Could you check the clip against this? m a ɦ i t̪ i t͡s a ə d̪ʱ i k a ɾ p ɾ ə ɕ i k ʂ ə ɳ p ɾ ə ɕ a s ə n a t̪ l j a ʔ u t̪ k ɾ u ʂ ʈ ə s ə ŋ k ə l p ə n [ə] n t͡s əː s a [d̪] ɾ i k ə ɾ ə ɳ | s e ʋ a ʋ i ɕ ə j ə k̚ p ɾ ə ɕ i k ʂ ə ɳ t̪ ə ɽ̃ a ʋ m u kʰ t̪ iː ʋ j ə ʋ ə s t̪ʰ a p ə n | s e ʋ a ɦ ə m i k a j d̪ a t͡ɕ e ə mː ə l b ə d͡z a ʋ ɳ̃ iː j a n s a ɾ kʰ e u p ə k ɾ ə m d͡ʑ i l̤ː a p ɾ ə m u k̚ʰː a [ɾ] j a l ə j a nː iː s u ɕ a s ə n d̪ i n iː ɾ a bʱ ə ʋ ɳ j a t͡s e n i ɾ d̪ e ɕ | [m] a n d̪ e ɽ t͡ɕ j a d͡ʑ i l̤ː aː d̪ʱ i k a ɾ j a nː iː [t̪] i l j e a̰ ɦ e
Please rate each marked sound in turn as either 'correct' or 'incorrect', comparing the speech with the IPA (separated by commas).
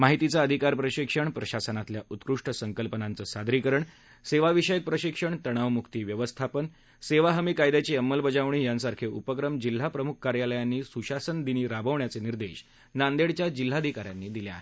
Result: incorrect, correct, correct, incorrect, incorrect